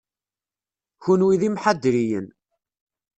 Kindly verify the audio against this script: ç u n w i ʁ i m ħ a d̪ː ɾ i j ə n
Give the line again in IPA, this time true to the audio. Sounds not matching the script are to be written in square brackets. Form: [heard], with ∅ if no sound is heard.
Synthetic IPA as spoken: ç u n w i [ð] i m ħ a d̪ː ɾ i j ə n